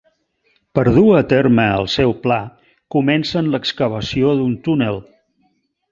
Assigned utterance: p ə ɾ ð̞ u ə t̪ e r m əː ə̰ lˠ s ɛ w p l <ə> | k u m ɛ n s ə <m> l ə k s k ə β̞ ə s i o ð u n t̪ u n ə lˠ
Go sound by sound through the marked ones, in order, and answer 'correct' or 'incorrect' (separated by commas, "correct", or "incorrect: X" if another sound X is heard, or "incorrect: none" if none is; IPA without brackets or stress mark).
incorrect: a, incorrect: n